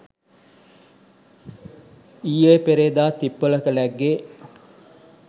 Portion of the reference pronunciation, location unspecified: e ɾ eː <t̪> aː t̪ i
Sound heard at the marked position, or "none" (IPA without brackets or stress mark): d̪